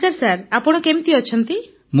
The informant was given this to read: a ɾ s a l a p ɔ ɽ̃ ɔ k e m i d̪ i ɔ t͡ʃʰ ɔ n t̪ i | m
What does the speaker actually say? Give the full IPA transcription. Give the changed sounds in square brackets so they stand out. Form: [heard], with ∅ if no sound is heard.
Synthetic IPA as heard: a ɾ s a [ɾ] a p ɔ ɽ̃ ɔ k e m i [t̪] i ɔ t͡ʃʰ ɔ n t̪ i | m